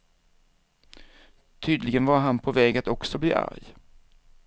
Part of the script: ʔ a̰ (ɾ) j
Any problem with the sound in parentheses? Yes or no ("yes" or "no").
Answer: no